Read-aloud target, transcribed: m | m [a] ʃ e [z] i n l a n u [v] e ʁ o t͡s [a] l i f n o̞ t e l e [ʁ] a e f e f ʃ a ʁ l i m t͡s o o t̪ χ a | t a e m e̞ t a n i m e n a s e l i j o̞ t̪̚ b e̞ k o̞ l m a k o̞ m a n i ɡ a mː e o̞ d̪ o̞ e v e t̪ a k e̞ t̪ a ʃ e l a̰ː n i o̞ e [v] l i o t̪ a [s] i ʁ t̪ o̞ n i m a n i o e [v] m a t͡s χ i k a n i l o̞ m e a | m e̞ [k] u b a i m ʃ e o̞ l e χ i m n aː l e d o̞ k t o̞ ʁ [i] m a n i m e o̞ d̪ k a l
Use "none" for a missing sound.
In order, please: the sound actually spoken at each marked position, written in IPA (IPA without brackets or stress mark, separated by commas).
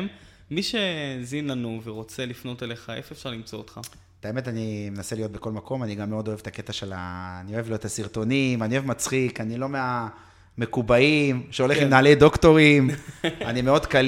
i, z, v, e, χ, v, s, v, k, i